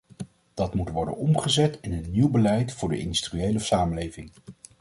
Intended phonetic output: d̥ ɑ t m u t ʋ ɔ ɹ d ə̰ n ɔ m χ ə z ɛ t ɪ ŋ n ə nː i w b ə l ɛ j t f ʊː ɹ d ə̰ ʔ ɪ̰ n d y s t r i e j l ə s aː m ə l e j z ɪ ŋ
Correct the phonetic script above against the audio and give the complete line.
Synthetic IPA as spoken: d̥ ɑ t m u t ʋ ɔ ɹ d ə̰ n ɔ m χ ə z ɛ t ɪ n ə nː i w b ə l ɛ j t f ʊː ɹ d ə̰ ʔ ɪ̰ n d y s t r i e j l ə s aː m ə l e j v ɪ ŋ